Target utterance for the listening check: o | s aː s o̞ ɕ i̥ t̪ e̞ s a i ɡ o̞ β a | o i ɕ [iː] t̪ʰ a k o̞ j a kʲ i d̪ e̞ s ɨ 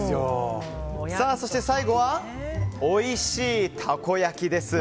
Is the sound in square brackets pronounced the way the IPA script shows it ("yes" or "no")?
yes